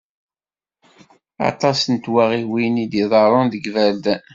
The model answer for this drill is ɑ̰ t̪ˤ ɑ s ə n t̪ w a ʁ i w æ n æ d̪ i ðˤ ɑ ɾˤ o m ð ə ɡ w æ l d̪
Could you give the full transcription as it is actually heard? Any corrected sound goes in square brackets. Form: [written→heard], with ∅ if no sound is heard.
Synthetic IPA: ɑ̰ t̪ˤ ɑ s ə n t̪ w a ʁ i w [æ→i] n [æ→i] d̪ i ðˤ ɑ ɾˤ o [m→n] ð ə ɡ [w→v] æ l d̪